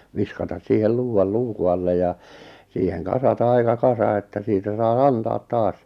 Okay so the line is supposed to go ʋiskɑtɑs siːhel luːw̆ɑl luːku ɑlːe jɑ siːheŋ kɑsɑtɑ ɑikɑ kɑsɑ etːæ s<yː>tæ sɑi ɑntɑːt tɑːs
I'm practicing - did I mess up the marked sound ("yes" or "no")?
yes